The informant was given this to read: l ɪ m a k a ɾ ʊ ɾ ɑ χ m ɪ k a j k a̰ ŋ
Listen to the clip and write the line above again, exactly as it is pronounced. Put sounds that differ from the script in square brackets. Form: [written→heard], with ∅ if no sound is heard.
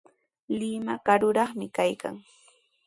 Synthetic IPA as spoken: l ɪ m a k a ɾ ʊ ɾ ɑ χ m ɪ k a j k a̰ ŋ